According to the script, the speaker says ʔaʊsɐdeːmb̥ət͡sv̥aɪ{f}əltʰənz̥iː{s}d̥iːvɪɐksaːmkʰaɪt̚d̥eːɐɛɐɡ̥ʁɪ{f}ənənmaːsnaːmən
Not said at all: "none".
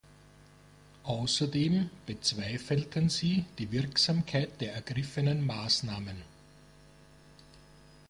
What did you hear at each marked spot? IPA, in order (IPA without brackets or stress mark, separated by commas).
f, none, f